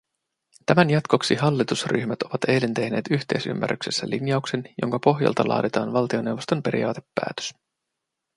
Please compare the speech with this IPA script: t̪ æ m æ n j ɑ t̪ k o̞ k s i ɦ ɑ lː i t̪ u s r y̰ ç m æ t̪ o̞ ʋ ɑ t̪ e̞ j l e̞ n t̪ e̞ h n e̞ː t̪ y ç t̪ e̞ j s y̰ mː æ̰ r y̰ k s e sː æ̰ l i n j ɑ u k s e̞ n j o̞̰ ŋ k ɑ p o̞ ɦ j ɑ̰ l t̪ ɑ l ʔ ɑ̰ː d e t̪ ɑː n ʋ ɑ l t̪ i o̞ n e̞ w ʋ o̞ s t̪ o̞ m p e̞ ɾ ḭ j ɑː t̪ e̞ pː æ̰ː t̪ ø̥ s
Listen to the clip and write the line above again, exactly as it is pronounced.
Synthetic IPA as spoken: t̪ æ m æ n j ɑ t̪ k o̞ k s i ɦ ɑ lː i t̪ u s r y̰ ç m æ t̪ o̞ ʋ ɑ t̪ e̞ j l e̞ n t̪ e̞ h n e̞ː t̪ y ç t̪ e̞ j s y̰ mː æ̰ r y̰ k s e sː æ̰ l i n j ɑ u k s e̞ n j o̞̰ ŋ k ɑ p o̞ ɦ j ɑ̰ l t̪ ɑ l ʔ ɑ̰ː d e t̪ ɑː n ʋ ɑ l t̪ i o̞ n e̞ w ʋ o̞ s t̪ o̞ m p e̞ ɾ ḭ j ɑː t̪ e̞ pː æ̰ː t̪ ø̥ s